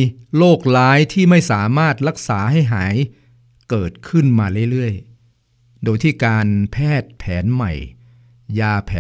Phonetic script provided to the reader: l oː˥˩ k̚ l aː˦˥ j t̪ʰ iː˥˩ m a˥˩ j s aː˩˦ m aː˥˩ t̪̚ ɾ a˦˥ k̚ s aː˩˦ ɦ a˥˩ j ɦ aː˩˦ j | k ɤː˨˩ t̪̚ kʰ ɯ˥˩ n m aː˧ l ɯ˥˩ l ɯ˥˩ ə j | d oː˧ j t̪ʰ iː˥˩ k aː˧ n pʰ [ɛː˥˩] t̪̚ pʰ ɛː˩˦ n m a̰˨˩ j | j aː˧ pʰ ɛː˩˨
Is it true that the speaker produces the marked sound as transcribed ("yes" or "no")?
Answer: yes